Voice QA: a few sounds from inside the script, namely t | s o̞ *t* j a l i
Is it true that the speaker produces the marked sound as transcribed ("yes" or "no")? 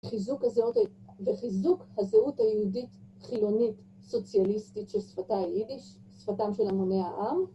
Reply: no